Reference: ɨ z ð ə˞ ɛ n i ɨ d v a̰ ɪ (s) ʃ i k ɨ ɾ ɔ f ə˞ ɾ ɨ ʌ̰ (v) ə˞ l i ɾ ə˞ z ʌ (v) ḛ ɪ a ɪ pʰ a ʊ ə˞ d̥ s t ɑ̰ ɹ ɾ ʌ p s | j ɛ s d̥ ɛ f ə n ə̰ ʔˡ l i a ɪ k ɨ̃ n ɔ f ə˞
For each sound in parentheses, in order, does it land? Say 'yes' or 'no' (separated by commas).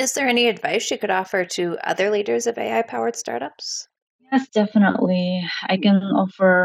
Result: yes, no, yes